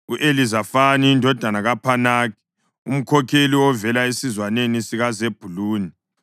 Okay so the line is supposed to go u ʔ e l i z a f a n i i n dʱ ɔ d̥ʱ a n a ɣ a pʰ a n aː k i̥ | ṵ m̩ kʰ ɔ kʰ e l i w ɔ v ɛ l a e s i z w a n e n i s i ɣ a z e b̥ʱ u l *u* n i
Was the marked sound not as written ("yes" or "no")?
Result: yes